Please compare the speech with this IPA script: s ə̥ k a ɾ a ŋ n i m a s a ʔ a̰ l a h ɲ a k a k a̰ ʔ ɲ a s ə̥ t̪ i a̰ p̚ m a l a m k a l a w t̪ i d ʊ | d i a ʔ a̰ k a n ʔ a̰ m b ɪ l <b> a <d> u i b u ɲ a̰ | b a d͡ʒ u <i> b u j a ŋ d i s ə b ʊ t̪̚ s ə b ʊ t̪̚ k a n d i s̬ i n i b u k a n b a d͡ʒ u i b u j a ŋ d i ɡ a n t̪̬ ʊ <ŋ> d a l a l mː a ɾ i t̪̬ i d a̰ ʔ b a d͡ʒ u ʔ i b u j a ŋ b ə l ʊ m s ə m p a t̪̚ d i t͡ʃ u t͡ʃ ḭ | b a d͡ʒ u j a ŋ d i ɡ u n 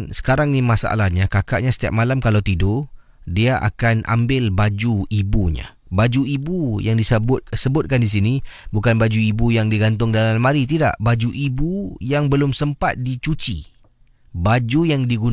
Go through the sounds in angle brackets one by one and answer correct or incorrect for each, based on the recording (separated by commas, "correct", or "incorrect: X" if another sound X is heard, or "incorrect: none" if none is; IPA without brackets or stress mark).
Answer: correct, incorrect: d͡ʒ, correct, correct